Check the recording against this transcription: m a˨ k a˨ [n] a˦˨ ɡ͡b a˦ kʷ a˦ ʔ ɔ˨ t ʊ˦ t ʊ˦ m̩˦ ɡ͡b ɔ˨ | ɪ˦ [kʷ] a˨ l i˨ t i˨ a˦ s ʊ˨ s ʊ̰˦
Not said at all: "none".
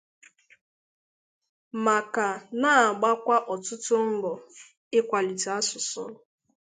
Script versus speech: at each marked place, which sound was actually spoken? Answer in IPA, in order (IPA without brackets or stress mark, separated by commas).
n, kʷ